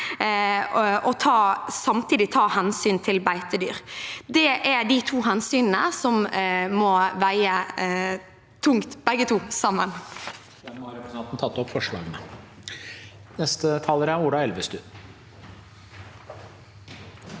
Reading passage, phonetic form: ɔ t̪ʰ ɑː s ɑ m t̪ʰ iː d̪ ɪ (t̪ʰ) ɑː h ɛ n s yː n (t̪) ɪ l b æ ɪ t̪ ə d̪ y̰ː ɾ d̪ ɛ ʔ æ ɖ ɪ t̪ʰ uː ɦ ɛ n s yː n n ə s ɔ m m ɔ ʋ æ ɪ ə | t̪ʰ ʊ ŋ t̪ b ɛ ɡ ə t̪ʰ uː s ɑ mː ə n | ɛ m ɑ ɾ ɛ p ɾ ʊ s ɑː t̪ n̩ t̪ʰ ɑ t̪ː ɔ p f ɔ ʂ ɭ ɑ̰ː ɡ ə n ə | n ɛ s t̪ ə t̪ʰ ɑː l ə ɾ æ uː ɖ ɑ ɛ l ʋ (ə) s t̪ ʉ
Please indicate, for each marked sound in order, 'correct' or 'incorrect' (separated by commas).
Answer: correct, incorrect, correct